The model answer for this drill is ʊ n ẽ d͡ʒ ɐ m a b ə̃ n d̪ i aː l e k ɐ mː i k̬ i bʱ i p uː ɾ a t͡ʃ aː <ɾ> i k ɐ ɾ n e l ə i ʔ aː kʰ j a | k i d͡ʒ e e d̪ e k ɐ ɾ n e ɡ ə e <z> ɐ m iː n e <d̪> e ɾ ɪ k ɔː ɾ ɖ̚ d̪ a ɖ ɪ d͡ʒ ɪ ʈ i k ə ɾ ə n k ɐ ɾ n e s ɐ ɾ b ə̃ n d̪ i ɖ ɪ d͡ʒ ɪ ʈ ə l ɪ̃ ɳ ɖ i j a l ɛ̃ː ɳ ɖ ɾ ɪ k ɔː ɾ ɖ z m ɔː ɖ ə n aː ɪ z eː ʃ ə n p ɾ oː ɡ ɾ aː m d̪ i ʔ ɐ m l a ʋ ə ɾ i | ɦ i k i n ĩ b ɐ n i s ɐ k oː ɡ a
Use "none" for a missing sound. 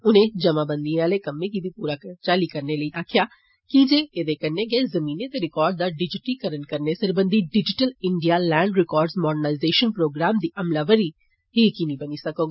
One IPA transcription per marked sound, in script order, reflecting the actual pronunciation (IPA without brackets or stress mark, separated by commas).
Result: l, z, t̪